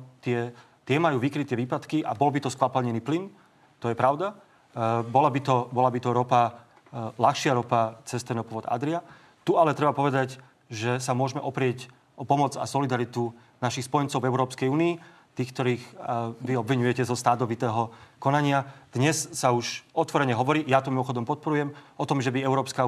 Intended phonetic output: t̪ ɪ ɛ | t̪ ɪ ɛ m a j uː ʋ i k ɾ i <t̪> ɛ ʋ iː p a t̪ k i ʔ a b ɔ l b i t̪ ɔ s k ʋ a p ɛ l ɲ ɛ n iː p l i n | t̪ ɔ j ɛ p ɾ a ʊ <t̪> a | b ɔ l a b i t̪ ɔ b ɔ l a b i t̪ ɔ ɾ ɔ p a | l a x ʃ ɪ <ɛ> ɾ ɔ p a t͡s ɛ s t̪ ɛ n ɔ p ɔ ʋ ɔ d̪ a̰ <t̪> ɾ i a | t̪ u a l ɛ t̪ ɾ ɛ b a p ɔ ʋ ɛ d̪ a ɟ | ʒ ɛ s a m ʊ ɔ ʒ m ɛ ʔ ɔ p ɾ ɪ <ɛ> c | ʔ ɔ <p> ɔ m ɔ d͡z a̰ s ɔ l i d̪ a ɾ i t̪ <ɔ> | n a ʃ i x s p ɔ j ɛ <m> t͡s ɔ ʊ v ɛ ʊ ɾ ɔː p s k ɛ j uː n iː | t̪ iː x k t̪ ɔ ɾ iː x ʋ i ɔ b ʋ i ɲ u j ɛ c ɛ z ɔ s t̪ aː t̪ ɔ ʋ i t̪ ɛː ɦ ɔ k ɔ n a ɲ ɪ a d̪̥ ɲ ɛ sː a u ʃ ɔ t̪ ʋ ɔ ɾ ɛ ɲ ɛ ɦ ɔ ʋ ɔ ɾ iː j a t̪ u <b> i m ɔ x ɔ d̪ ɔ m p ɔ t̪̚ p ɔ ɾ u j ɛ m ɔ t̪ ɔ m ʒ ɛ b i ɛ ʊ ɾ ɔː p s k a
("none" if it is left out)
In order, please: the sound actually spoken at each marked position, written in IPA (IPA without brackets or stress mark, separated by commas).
t̪, d̪, a, d̪, ɛ, p, u, n, m